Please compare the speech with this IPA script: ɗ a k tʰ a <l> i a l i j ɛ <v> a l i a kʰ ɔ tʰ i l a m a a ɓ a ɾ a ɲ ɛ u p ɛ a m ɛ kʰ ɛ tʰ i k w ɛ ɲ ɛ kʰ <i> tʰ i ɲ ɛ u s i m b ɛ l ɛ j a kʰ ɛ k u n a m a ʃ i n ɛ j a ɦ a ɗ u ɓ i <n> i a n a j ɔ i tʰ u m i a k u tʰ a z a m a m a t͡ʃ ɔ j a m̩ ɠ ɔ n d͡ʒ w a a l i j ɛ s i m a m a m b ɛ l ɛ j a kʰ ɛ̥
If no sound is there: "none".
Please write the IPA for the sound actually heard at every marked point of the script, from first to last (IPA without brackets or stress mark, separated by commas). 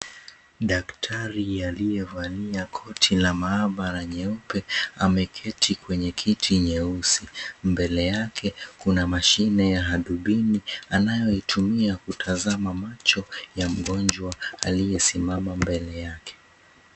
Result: ɾ, v, i, n